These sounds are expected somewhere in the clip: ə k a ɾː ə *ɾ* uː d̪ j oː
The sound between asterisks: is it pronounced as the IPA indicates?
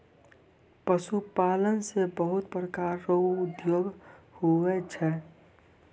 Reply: no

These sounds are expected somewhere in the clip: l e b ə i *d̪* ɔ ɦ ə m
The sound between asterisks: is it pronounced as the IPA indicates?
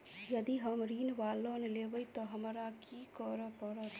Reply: no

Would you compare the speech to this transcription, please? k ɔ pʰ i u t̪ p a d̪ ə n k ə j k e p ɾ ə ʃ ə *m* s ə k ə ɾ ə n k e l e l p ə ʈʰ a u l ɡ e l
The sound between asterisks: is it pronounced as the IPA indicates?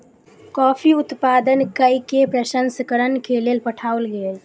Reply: no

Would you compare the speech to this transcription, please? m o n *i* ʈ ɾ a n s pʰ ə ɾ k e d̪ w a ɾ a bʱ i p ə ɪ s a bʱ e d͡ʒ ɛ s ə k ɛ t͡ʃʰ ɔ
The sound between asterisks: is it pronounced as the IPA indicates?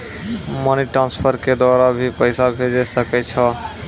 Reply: yes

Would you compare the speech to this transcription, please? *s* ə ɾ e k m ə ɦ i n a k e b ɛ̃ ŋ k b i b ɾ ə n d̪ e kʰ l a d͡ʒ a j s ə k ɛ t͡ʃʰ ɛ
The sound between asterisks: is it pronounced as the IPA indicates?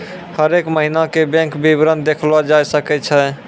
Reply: no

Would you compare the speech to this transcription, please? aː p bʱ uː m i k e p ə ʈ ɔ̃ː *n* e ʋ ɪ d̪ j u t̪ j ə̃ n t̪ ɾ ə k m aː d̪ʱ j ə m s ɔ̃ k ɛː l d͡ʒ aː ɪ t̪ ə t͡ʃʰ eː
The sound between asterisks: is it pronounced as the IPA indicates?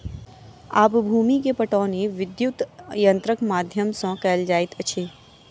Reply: yes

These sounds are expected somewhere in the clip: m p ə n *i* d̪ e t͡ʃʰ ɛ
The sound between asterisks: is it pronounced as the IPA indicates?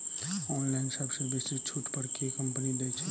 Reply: yes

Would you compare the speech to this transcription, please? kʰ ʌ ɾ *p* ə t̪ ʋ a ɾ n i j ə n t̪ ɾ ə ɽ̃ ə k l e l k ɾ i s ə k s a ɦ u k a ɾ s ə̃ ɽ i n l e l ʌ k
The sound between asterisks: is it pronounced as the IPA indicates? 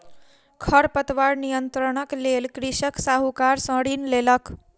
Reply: yes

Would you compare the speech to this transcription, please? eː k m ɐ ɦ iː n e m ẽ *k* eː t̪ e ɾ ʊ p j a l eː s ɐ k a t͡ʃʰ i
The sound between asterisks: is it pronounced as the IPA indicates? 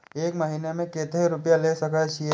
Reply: yes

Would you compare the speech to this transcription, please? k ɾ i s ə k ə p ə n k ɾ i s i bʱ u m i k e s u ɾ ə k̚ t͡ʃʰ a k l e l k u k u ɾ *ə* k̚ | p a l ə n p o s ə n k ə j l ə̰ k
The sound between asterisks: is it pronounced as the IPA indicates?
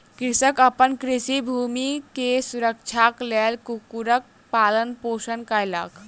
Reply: yes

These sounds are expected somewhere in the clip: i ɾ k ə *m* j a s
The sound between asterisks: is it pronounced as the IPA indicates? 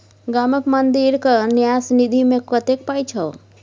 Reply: no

